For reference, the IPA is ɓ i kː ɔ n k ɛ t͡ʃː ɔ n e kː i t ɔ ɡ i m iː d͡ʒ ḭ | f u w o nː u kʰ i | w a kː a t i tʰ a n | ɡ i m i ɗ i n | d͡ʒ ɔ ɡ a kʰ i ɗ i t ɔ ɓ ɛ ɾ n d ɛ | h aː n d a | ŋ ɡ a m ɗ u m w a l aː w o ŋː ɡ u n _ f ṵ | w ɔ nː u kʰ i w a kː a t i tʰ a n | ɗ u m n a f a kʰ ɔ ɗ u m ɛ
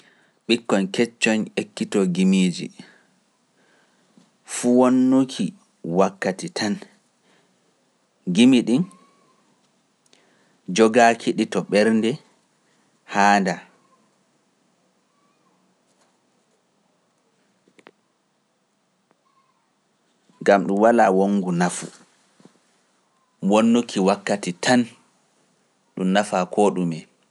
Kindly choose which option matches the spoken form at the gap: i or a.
a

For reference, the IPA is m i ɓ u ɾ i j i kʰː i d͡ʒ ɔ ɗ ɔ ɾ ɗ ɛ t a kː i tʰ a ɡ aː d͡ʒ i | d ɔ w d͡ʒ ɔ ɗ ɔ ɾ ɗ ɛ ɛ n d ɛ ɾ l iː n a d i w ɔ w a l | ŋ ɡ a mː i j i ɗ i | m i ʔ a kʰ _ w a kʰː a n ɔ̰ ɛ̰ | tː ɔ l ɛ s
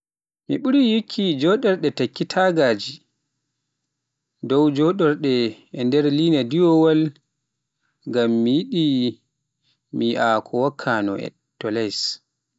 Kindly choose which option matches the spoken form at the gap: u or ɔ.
ɔ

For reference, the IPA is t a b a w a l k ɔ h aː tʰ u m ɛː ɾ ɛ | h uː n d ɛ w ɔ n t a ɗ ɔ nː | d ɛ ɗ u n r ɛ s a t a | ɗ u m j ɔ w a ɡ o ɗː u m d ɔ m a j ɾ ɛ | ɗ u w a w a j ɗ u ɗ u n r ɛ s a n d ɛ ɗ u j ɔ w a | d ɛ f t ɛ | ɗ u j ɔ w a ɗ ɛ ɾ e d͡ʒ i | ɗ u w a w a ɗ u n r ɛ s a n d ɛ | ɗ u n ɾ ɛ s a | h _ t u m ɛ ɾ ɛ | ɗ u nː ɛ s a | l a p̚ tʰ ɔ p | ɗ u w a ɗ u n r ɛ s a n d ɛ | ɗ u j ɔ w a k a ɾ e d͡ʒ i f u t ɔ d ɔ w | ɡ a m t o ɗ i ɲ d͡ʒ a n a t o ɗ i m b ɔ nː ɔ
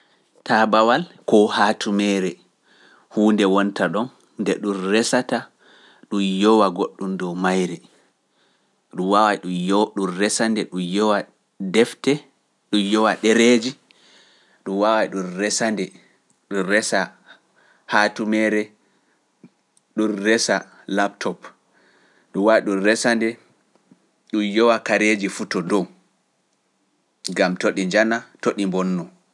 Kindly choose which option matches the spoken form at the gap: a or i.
a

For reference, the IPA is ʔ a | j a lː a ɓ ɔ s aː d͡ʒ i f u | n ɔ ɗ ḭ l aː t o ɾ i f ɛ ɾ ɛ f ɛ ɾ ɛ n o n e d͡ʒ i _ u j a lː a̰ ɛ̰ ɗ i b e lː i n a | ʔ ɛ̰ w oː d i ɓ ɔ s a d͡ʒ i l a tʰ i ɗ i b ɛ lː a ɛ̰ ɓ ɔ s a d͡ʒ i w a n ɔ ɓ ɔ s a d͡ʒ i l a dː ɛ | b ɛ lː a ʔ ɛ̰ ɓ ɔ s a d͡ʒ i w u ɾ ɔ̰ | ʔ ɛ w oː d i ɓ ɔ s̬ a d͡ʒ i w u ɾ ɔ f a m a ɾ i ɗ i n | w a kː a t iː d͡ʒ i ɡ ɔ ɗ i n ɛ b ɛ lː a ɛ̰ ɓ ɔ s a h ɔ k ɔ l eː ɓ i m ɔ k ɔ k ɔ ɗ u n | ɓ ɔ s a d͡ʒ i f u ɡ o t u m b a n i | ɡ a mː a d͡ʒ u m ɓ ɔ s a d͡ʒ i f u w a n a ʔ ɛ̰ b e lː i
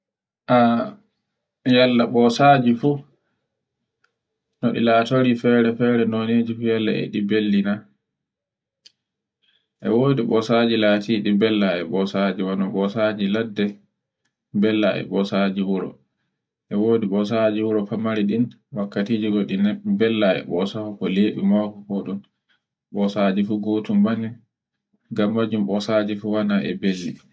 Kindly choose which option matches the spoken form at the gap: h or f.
f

